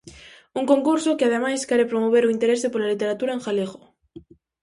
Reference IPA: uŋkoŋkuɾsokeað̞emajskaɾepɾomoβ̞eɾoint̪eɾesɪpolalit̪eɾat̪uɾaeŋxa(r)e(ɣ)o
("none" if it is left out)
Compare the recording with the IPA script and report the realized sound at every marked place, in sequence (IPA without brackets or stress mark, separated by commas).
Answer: l, ɣ